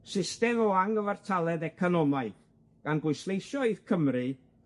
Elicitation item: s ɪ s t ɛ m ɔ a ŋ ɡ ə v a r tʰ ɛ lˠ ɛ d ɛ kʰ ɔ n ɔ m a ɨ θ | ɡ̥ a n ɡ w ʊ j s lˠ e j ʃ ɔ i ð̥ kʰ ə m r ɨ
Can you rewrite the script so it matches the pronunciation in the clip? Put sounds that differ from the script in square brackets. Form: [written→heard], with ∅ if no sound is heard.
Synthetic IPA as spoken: s ɪ s t ɛ m ɔ a ŋ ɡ ə v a r tʰ [ɛ→a] lˠ ɛ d ɛ kʰ ɔ n ɔ m a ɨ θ | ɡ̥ a n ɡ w ʊ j s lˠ e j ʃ ɔ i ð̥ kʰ ə m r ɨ